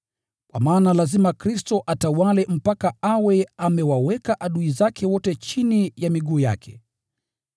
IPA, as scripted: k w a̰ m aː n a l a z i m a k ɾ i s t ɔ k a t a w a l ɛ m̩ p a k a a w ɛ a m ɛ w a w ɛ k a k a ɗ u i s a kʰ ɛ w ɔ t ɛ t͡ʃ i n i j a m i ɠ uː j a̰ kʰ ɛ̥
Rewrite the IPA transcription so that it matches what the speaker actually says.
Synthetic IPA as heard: k w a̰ m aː n a l a z i m a k ɾ i s t ɔ ʔ a t a w a l ɛ m̩ p a k a a w ɛ a m ɛ w a w ɛ k a ʔ a ɗ u i z a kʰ ɛ w ɔ t ɛ t͡ʃ i n i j a m i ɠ uː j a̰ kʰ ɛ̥